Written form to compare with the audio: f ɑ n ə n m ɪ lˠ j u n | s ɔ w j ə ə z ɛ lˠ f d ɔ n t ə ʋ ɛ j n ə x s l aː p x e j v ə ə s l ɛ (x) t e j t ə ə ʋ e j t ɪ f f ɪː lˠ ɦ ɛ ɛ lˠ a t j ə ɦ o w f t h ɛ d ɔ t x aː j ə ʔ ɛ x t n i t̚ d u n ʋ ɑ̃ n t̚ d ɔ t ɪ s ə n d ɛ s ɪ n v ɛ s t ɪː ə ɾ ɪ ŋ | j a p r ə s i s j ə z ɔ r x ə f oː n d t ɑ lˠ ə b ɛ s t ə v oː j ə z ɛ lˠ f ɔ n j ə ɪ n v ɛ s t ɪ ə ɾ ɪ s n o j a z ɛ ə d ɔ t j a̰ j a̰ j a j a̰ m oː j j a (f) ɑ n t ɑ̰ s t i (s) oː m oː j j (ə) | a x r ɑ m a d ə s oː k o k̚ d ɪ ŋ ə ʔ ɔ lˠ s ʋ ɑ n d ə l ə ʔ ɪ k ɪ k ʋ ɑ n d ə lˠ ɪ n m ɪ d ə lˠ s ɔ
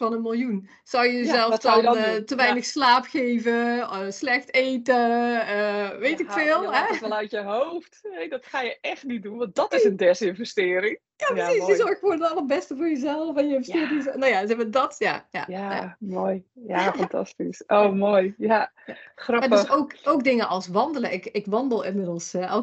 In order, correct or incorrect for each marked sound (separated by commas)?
correct, correct, correct, incorrect